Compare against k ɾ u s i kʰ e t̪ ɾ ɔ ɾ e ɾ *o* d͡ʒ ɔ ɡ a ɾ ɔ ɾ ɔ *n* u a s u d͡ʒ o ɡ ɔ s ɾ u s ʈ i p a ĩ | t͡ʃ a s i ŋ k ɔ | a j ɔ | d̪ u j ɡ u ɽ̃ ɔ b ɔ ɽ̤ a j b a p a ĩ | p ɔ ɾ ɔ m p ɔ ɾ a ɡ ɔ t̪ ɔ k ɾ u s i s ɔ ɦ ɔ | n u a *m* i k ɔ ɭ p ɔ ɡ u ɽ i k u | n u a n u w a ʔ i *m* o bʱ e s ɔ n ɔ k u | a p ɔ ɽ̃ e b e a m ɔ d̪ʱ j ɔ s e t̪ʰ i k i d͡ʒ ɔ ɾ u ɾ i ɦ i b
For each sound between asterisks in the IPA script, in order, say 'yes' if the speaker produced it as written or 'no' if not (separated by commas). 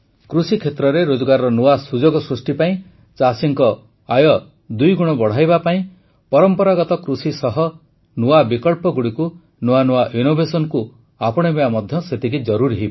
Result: yes, yes, no, no